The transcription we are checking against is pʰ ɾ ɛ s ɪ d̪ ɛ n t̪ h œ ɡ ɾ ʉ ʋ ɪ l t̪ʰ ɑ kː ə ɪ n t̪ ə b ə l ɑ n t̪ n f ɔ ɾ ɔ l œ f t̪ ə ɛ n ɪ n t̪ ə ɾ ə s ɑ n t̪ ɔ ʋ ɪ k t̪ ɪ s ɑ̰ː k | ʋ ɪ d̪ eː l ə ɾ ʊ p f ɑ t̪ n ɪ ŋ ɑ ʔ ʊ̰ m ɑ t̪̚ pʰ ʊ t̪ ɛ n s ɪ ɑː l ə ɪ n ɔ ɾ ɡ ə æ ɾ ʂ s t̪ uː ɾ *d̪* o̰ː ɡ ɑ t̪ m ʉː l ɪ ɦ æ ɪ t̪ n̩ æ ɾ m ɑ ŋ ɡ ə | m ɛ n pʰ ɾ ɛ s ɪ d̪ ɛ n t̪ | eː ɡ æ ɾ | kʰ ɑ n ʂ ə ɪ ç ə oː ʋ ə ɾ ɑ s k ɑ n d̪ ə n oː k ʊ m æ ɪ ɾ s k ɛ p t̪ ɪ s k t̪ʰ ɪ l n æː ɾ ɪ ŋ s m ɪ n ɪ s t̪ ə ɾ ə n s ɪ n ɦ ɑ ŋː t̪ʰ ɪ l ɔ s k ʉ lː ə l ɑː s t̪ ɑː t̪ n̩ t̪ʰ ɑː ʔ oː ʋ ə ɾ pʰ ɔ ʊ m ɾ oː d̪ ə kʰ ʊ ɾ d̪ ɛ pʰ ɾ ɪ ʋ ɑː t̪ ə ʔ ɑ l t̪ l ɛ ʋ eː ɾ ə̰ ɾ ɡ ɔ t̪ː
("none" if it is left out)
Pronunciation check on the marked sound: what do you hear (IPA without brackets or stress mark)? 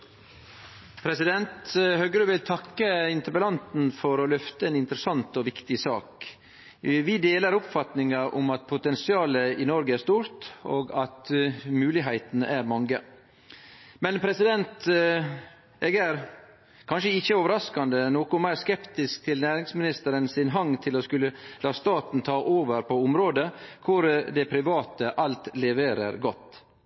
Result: t̪